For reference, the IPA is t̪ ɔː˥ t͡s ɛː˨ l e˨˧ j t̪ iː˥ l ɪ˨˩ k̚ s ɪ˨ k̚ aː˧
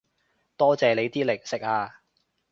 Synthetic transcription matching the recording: t̪ ɔː˥ t͡s ɛː˨ l e˨˧ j t̪ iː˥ l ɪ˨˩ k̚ s ɪ˨ k̚ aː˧